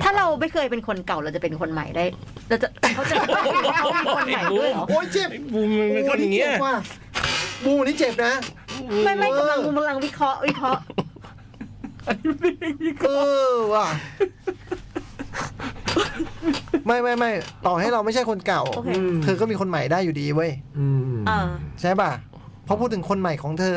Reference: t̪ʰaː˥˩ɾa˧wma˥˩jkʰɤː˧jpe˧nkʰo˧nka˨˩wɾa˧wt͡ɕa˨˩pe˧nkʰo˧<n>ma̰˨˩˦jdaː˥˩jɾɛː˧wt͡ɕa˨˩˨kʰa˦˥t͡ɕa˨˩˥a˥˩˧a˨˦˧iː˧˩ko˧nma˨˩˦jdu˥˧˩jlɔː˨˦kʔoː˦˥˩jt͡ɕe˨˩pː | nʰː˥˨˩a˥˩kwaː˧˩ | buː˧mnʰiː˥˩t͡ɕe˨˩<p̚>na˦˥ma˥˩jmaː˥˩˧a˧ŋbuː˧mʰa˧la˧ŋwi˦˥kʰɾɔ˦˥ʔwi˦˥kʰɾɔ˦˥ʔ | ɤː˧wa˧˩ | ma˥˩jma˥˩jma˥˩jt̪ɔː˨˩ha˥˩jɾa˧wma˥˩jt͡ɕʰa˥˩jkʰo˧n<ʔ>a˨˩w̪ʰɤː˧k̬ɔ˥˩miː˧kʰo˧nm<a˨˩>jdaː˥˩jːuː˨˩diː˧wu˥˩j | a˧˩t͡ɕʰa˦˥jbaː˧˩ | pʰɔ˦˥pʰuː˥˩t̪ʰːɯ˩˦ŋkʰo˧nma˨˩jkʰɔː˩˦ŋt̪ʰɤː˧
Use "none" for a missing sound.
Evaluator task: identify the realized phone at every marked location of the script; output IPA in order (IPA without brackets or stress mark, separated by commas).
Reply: n, p̚, k, a˨˩